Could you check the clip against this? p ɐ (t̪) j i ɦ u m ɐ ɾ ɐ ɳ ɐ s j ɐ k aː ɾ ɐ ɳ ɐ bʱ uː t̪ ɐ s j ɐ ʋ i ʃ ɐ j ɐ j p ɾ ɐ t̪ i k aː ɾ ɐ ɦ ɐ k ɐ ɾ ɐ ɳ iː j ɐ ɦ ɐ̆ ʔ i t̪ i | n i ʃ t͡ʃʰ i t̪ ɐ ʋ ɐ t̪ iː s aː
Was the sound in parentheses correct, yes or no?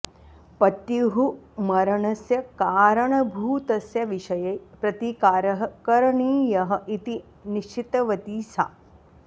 yes